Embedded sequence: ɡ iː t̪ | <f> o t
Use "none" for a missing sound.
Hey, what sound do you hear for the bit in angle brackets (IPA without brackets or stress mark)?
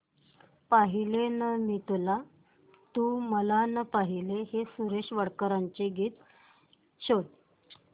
ɕ